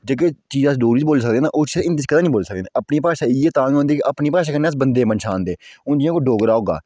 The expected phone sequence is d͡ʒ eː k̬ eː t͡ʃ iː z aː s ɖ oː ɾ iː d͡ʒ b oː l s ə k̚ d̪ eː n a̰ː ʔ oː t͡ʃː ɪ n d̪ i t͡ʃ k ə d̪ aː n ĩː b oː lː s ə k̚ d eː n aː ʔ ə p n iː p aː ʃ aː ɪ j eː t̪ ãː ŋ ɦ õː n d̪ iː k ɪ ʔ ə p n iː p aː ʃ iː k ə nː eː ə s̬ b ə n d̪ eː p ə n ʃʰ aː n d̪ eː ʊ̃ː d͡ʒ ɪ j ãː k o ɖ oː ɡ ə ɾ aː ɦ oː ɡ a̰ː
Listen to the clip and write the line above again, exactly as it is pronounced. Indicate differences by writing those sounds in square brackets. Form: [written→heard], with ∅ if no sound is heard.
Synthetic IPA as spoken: d͡ʒ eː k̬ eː t͡ʃ iː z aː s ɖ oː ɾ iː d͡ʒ b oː l s ə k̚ d̪ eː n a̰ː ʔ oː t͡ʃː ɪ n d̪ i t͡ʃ k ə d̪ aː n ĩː b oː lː s ə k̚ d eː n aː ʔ ə p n iː p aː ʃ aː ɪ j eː t̪ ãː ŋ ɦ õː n d̪ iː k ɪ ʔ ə p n iː p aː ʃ [iː→aː] k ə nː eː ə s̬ b ə n d̪ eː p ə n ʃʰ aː n d̪ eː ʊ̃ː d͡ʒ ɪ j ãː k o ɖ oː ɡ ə ɾ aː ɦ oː ɡ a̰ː